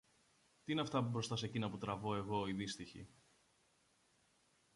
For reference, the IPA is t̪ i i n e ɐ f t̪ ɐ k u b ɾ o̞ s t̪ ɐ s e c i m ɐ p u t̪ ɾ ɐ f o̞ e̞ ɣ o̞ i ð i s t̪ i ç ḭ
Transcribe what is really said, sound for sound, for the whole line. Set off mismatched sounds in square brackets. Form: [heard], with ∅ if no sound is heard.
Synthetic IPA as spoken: t̪ i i n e ɐ f t̪ ɐ [p] u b ɾ o̞ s t̪ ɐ s e c i [n] ɐ p u t̪ ɾ ɐ [v] o̞ e̞ ɣ o̞ i ð i s t̪ i ç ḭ

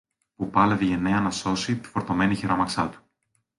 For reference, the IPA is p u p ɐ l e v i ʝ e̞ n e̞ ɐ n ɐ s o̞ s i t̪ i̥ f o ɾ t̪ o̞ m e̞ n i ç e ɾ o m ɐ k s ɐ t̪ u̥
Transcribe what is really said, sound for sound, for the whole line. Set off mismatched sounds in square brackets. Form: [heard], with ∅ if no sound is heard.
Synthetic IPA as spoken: p u p ɐ l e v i ʝ e̞ n e̞ ɐ n ɐ s o̞ s i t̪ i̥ f o ɾ t̪ o̞ m e̞ n i ç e ɾ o m ɐ k s ɐ t̪ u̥

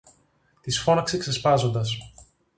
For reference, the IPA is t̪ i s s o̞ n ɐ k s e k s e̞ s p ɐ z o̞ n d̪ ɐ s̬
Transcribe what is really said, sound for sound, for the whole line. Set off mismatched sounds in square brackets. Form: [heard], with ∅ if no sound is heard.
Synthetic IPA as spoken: t̪ i s [f] o̞ n ɐ k s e k s e̞ s p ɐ z o̞ n d̪ ɐ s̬

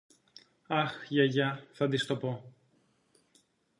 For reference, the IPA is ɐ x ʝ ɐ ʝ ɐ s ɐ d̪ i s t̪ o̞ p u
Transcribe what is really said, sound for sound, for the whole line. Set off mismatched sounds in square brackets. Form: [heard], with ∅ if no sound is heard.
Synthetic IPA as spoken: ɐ x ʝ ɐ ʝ ɐ [θ] ɐ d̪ i s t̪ o̞ p [o]

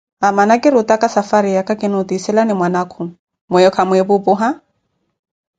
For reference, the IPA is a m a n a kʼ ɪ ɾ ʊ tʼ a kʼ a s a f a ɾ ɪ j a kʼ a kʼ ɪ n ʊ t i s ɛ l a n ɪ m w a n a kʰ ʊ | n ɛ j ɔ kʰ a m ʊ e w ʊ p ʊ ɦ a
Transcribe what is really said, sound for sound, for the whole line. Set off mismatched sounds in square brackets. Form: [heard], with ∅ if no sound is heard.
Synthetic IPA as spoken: a m a n a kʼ ɪ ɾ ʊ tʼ a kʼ a s a f a ɾ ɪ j a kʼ a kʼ ɪ n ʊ t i s ɛ l a n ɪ m w a n a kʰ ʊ | [m] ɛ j ɔ kʰ a m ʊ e [b] ʊ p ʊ ɦ a

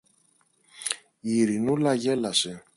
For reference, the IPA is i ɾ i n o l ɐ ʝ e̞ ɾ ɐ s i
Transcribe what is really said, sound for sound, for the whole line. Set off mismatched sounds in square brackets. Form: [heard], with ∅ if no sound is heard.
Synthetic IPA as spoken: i ɾ i n [u] l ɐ ʝ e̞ [l] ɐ s [e]

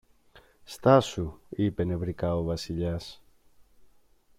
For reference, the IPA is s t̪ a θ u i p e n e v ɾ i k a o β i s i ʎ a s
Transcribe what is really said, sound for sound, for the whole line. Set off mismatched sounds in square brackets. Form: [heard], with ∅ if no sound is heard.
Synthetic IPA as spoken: s t̪ a [s] u i p e n e [β] ɾ i k a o β [a] s i ʎ a s

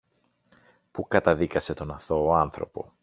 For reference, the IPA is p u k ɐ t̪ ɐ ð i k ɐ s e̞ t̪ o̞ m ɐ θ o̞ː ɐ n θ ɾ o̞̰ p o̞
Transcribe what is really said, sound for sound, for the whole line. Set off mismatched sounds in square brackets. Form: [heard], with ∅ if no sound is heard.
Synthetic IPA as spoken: p u k ɐ t̪ ɐ ð i k ɐ s e̞ t̪ o̞ [n] ɐ θ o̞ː ɐ n θ ɾ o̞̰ p o̞

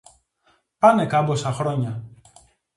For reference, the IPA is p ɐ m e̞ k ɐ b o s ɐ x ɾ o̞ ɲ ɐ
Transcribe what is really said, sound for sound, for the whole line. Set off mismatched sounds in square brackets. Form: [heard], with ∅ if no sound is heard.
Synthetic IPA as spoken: p ɐ [n] e̞ k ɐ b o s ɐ x ɾ o̞ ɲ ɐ

